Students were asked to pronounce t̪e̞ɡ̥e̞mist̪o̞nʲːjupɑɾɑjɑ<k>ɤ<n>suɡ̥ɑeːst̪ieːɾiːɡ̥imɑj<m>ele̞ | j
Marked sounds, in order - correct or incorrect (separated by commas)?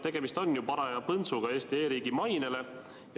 incorrect, correct, incorrect